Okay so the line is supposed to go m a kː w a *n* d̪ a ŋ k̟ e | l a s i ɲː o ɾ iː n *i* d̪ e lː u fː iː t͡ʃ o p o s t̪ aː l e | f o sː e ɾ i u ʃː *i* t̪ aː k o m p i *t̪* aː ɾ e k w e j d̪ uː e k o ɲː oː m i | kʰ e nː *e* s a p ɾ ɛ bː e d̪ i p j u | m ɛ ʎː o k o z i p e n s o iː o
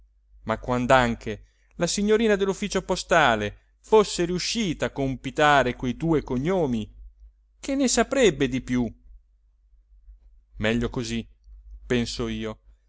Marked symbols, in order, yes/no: yes, no, no, yes, yes

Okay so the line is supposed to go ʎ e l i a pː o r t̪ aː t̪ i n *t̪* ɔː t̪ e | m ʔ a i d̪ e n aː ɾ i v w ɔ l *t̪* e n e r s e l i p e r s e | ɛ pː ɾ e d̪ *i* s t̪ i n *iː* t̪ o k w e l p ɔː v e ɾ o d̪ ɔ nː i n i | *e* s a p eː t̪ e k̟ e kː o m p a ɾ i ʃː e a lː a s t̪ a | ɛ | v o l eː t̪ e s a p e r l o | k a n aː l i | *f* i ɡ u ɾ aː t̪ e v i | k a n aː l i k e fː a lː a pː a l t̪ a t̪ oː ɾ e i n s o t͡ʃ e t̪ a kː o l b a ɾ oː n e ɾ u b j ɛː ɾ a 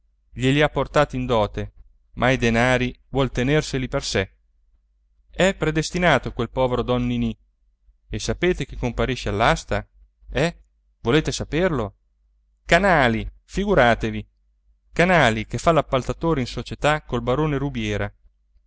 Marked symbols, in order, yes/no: no, yes, no, no, yes, yes

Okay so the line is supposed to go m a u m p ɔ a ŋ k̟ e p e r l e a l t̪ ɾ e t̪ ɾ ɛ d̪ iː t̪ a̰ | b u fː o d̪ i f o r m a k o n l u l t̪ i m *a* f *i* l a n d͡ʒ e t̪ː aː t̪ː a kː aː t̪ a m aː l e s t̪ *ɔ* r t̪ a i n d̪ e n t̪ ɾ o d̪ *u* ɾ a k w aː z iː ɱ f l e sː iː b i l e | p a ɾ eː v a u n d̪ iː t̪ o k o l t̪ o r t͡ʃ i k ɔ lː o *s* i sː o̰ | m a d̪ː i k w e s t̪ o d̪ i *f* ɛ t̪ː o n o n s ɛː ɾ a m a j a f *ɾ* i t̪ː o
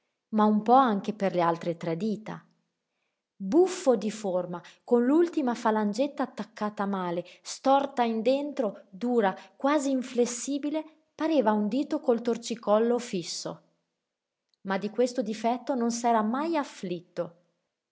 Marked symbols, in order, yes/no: yes, no, yes, no, no, yes, no

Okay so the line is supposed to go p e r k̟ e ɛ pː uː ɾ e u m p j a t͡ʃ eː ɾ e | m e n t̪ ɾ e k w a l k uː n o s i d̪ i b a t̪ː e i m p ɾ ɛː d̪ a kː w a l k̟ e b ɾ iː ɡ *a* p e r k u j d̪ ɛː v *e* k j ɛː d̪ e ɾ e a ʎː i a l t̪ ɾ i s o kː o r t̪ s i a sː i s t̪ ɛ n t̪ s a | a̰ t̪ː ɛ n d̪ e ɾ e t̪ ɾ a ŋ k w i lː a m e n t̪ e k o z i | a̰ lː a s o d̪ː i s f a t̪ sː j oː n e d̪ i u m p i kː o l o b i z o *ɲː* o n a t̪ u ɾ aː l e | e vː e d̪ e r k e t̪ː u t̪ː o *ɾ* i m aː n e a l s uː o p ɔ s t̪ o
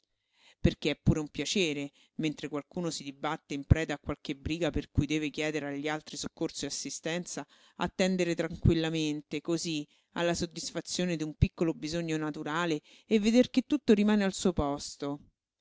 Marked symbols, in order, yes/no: yes, yes, yes, yes

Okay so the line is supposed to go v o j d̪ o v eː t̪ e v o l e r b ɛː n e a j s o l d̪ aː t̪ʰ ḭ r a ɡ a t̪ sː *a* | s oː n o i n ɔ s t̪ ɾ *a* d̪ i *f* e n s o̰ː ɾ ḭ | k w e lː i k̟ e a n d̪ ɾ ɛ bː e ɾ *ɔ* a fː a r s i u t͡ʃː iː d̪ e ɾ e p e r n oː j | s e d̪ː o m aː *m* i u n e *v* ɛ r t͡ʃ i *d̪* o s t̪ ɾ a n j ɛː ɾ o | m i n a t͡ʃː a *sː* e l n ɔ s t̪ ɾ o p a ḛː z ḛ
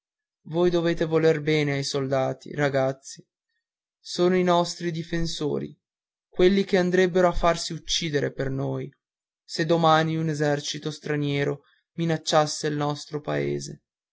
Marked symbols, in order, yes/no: no, no, yes, no, no, no, no, yes

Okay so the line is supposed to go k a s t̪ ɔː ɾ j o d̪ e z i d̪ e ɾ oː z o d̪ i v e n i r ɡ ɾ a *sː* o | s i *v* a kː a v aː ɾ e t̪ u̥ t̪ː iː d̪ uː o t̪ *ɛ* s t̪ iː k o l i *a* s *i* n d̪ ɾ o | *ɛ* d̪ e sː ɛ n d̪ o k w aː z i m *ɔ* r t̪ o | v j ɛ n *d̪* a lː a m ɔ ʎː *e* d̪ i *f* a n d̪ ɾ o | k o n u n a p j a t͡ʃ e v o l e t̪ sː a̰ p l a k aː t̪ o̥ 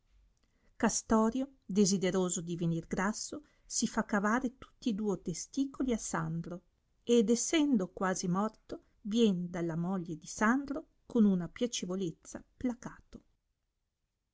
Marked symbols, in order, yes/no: yes, no, no, yes, no, no, yes, yes, yes, no

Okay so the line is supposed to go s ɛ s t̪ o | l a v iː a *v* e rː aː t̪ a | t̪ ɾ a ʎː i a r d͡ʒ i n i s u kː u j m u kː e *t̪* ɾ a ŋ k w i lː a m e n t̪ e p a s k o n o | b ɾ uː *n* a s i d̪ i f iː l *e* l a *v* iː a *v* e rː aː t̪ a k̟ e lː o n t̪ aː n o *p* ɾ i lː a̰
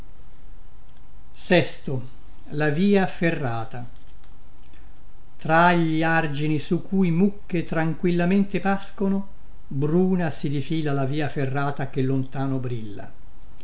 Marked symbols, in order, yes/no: no, yes, yes, no, yes, no, no

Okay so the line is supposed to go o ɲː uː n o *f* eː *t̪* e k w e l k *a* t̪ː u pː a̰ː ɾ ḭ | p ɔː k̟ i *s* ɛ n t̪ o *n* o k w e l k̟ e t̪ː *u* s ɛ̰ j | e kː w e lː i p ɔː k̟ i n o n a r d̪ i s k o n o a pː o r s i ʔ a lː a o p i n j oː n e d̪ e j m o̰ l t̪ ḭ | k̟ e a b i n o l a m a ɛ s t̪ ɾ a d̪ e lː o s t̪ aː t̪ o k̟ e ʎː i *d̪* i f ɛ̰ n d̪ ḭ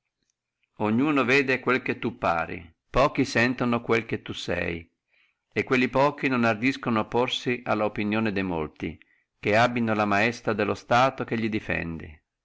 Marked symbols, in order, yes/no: no, no, no, yes, yes, yes, yes

